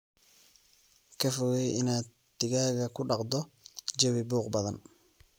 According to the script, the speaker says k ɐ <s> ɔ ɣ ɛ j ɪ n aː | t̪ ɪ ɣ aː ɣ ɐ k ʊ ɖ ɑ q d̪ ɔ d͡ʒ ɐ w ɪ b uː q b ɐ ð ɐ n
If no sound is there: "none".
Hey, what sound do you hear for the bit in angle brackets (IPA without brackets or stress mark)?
f